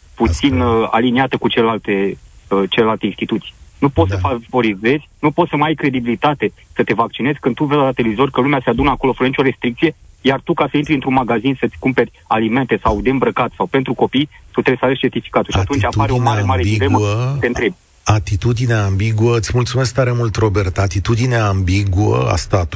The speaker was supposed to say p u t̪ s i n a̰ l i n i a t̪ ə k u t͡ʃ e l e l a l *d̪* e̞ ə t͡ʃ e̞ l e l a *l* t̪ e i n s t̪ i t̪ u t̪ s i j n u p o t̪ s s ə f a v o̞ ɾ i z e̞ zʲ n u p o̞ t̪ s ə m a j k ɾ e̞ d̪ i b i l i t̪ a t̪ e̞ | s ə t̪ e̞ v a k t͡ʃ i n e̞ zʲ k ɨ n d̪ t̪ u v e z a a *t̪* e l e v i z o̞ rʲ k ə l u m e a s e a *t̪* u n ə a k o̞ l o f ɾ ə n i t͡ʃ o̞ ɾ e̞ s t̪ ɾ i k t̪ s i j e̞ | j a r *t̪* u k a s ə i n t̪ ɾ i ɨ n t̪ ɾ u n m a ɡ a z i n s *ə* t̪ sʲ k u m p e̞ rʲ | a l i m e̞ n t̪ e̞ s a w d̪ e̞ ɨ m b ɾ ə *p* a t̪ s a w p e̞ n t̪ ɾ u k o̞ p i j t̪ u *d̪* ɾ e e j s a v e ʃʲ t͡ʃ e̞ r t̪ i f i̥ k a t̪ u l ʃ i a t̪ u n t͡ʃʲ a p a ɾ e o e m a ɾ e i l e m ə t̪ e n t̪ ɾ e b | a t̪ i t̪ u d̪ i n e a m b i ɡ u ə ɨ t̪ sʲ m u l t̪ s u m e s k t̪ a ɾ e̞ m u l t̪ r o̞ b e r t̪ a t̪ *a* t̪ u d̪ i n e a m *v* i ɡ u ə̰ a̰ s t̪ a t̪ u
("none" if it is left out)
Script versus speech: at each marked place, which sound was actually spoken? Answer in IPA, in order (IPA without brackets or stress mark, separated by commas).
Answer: t̪, l, t̪, d̪, t̪, ə, k, t̪, i, b